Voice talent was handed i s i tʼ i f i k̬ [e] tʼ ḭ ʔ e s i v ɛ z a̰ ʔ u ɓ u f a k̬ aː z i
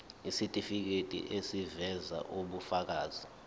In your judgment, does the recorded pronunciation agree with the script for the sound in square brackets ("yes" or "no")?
yes